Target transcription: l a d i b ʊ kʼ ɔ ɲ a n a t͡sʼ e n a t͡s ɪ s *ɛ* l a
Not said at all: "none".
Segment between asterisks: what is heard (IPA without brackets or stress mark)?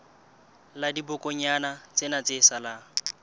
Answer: a